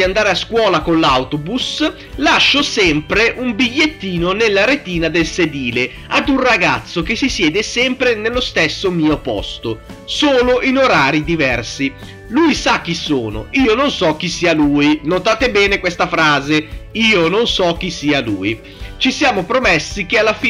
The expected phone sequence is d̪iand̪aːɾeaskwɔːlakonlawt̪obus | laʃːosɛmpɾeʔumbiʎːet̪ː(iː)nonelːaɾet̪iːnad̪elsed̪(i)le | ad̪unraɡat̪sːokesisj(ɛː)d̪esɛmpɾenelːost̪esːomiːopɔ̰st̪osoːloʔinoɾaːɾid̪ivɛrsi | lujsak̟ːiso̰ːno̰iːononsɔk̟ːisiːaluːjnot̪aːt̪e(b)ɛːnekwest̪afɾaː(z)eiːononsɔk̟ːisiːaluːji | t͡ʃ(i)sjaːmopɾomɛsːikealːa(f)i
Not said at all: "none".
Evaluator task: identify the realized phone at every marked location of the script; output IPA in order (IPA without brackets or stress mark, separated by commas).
iː, iː, ɛː, b, z, i, f